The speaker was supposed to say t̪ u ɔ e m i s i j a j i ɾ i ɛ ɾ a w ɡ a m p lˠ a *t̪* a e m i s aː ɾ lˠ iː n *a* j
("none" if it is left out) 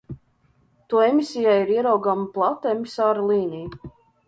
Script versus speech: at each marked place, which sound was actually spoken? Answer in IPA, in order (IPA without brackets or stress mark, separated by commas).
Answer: t̪, i